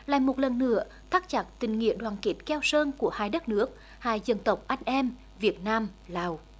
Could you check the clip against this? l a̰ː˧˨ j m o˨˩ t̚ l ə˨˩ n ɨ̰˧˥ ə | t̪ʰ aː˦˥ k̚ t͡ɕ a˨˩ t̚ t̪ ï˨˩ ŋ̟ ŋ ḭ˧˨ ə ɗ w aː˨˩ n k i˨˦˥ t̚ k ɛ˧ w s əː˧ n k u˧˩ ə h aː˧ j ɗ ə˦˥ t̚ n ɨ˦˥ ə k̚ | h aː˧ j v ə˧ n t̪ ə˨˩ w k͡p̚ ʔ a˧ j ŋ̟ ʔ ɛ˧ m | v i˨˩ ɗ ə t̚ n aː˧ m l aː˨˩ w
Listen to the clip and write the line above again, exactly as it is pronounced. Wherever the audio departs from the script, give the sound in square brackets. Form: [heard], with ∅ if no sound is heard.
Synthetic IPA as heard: l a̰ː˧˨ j m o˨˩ t̚ l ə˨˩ [nː] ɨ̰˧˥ ə | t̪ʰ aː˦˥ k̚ t͡ɕ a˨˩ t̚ t̪ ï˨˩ ŋ̟ ŋ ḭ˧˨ ə ɗ w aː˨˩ n k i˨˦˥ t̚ k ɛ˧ w s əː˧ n k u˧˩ ə h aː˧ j ɗ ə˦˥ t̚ n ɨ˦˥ ə k̚ | h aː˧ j [z] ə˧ n t̪ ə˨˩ w k͡p̚ ʔ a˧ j ŋ̟ ʔ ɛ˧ m | v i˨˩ [∅] ə t̚ n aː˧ m l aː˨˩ w